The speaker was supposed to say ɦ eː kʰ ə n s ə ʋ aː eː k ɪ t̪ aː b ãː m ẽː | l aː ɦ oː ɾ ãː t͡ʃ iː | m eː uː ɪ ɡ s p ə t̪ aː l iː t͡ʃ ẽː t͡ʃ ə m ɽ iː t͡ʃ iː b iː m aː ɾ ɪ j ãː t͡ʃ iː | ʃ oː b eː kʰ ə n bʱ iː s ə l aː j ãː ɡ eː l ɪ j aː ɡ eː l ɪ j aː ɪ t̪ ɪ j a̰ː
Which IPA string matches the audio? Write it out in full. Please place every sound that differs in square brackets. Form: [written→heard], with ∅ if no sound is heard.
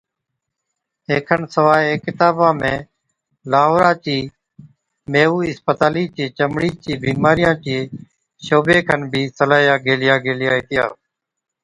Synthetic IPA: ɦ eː kʰ ə n s ə ʋ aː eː k ɪ t̪ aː b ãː m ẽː | l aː ɦ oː ɾ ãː t͡ʃ iː | m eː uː ɪ [ɡ→∅] s p ə t̪ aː l iː t͡ʃ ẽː t͡ʃ ə m ɽ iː t͡ʃ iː b iː m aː ɾ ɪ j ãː t͡ʃ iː | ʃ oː b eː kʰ ə n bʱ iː s ə l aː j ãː ɡ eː l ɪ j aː ɡ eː l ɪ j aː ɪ t̪ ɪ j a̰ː